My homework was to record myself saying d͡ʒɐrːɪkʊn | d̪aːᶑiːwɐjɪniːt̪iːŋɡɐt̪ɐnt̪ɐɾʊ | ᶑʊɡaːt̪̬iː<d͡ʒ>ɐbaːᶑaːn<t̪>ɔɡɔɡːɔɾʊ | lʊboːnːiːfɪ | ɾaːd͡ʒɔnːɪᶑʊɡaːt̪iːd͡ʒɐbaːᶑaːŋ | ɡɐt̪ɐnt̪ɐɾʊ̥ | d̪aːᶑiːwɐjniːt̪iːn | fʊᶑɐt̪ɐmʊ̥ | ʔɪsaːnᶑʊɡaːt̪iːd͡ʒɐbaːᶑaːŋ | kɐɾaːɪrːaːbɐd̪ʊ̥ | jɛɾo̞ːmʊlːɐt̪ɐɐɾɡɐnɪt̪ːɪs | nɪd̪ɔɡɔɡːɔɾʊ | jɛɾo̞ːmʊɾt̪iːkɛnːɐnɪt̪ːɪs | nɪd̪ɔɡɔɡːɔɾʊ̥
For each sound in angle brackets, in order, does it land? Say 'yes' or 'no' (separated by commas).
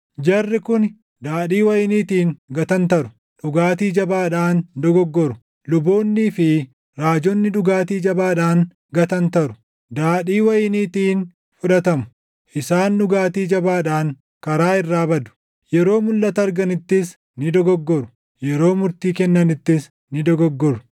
yes, no